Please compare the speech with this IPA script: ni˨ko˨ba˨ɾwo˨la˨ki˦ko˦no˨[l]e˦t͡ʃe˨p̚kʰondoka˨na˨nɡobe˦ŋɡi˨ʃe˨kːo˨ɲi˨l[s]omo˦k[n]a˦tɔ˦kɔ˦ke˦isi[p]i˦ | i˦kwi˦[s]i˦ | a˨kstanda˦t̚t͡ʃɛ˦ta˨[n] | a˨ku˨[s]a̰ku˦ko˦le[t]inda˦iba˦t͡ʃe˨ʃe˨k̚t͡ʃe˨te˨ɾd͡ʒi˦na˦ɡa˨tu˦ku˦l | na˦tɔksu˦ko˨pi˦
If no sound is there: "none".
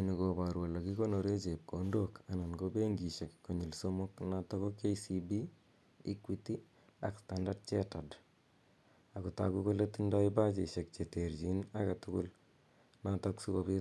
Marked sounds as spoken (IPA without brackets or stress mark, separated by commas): ɾ, s, n, b, t, d, t, t